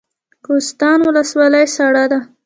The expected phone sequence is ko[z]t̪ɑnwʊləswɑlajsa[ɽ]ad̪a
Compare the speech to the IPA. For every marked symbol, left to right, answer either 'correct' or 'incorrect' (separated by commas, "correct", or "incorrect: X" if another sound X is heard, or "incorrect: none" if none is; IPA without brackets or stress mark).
incorrect: s, correct